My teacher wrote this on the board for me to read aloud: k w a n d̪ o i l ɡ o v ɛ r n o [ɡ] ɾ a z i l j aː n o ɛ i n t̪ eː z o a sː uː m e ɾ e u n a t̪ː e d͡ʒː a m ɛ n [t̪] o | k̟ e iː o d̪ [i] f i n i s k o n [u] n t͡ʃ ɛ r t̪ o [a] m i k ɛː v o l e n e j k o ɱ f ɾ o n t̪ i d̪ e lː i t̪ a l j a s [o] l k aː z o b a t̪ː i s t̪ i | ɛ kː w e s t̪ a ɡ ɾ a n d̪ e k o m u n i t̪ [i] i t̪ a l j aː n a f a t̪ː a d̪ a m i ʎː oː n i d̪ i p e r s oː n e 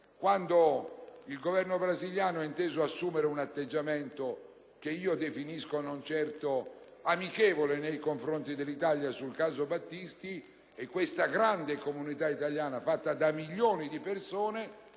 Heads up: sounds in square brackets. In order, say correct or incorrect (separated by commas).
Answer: incorrect, correct, incorrect, incorrect, correct, incorrect, incorrect